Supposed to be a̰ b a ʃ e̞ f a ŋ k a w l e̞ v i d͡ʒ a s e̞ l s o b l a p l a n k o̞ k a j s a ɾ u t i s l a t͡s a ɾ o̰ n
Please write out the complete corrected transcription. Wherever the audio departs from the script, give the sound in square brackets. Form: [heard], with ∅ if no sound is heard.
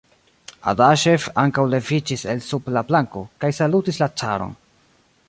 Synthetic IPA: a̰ [d] a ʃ e̞ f a ŋ k a w l e̞ v i d͡ʒ [i] s e̞ l s [u] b l a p l a [ŋ] k o̞ k a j s a [l] u t i s l a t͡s a ɾ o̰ n